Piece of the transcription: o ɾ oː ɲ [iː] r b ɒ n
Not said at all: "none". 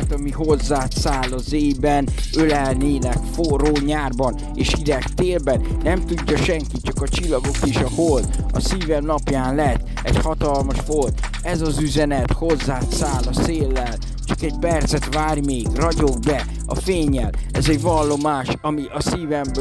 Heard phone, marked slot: aː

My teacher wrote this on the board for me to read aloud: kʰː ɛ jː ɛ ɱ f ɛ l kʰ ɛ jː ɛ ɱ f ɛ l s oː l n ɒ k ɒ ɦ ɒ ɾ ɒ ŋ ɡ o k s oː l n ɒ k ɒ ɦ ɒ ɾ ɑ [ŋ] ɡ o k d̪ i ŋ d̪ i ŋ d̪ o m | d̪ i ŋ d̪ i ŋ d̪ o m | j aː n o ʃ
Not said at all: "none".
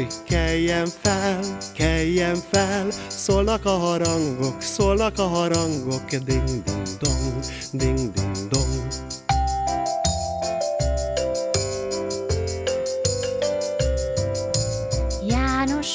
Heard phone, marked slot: ŋ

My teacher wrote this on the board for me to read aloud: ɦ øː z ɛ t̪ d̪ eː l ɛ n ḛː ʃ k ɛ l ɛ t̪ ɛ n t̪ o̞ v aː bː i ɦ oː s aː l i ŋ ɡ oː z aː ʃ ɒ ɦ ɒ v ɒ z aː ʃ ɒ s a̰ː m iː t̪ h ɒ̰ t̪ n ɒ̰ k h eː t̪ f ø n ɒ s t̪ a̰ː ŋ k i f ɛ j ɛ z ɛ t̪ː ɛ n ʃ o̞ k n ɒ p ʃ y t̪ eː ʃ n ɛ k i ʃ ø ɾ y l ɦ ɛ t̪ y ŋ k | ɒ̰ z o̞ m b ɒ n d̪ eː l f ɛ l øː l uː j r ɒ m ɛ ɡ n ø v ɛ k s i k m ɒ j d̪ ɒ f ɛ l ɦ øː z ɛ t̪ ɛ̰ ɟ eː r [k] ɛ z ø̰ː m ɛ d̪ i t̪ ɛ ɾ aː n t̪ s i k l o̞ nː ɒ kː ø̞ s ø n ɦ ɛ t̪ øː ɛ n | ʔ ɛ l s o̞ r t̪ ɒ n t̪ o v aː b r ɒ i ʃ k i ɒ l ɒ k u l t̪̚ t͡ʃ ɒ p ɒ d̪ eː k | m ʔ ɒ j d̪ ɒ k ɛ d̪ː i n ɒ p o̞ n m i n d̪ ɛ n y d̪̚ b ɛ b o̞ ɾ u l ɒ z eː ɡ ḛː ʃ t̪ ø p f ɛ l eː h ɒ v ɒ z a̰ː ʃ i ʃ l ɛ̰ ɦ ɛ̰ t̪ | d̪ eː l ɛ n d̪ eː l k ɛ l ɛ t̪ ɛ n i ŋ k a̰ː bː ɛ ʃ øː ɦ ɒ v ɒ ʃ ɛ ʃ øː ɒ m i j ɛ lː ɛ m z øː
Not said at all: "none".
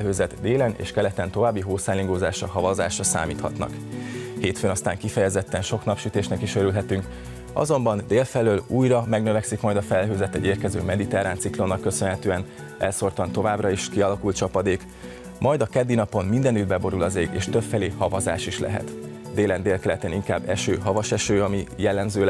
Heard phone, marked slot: k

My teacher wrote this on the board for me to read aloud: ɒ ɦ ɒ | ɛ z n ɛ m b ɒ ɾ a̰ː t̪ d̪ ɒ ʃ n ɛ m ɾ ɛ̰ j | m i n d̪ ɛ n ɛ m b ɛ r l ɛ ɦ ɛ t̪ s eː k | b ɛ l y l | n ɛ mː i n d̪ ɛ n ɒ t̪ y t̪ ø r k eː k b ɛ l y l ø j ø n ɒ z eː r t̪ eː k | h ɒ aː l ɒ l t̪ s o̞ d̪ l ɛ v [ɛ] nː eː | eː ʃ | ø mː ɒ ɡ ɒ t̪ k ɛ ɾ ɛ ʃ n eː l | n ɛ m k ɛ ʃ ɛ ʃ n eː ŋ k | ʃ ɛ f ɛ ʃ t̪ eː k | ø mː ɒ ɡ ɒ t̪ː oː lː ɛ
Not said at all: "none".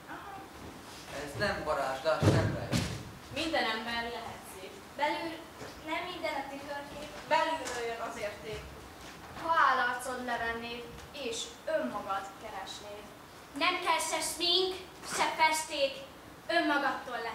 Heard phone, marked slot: ɛ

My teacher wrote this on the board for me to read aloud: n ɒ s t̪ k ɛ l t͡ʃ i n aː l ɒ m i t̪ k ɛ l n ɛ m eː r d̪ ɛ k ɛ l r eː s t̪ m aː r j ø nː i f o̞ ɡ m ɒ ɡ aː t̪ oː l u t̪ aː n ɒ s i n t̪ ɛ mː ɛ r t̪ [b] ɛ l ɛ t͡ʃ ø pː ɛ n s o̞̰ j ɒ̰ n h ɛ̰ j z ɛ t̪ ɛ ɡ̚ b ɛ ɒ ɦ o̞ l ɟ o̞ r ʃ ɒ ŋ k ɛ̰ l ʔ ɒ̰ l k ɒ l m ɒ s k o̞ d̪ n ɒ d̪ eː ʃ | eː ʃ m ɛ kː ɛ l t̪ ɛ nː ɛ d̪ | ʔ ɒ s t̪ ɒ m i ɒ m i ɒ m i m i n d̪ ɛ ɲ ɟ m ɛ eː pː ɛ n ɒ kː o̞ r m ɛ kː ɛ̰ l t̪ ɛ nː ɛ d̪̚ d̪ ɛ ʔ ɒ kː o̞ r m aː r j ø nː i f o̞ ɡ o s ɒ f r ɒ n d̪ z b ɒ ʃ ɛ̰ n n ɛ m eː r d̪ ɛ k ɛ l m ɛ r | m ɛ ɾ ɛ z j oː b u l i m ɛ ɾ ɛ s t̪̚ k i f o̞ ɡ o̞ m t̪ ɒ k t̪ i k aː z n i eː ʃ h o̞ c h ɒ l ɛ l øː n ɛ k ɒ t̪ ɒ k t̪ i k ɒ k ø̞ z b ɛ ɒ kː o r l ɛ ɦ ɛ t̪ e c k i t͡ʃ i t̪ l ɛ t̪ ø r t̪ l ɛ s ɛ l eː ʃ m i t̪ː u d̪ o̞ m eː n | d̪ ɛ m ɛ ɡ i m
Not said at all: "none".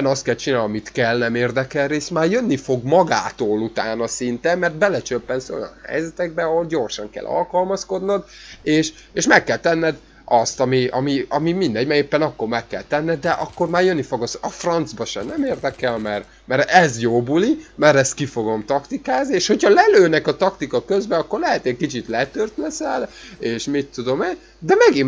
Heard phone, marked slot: b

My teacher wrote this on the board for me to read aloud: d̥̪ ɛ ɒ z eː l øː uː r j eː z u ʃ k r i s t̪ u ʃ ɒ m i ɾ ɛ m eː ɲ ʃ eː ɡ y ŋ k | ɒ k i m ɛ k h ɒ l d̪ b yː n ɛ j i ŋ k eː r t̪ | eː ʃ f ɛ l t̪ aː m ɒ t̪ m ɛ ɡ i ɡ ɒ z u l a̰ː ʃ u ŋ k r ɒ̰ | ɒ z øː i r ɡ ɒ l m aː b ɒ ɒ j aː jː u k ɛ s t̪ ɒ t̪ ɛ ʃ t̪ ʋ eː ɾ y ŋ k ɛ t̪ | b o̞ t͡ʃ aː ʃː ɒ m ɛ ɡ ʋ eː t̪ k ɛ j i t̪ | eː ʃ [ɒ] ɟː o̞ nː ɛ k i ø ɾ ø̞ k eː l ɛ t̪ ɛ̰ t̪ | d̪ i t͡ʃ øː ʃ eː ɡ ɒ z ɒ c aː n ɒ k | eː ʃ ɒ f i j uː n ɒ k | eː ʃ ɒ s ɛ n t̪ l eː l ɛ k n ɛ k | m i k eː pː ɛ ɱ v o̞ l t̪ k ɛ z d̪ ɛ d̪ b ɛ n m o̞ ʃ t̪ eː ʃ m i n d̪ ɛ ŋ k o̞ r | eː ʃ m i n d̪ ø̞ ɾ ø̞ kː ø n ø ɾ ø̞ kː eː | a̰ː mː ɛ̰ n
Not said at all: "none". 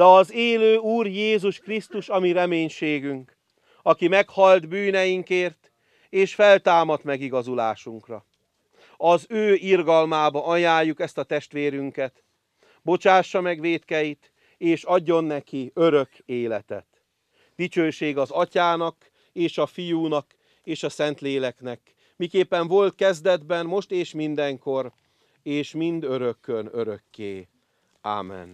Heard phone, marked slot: ɒ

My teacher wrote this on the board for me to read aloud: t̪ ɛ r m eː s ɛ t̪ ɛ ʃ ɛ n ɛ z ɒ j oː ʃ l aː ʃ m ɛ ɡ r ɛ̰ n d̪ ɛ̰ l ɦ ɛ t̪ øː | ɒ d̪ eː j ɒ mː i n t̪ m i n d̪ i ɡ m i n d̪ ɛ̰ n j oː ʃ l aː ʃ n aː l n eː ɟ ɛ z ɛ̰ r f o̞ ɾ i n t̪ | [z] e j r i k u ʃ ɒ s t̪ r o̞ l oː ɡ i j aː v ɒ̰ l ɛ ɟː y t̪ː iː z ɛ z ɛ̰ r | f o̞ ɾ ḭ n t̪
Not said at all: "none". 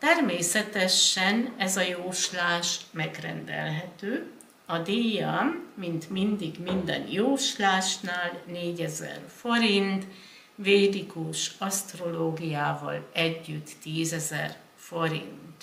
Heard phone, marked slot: v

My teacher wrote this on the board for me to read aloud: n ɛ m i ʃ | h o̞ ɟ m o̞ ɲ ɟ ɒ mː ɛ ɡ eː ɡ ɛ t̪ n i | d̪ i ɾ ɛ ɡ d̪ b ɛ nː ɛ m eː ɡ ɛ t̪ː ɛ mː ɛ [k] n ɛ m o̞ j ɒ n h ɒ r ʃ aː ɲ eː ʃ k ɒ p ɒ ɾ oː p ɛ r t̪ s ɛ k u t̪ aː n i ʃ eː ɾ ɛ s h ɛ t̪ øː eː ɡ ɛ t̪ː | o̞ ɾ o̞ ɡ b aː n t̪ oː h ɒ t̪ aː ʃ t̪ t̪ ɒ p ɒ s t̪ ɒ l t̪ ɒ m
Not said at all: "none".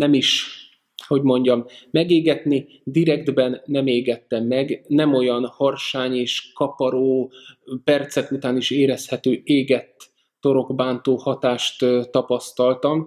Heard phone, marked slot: ɡ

